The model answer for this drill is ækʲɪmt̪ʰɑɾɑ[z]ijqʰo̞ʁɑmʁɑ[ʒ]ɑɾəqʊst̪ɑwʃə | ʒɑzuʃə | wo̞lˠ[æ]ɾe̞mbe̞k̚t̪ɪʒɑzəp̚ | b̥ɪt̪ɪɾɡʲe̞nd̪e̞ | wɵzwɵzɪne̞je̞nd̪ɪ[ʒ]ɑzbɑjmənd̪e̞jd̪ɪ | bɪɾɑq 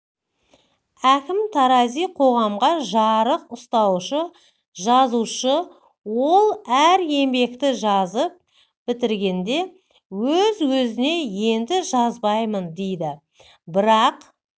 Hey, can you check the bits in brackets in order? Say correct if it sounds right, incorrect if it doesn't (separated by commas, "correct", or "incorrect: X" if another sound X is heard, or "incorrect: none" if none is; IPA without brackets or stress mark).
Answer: correct, correct, correct, correct